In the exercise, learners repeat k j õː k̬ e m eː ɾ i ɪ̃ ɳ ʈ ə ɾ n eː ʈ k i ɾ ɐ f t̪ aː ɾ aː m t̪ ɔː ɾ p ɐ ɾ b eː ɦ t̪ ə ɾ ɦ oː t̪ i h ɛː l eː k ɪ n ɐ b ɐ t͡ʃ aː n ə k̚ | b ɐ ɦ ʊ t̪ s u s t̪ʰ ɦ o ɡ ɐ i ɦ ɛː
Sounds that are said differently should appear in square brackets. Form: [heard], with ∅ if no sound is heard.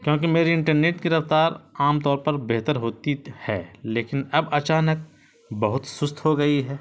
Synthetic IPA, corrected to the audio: k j õː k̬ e m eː ɾ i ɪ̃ ɳ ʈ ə ɾ n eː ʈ k i ɾ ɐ f t̪ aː ɾ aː m t̪ ɔː ɾ p ɐ ɾ b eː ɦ t̪ ə ɾ ɦ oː t̪ i h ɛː l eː k ɪ n ɐ b ɐ t͡ʃ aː n ə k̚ | b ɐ ɦ ʊ t̪ s [ʊ] s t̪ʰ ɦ o ɡ ɐ i ɦ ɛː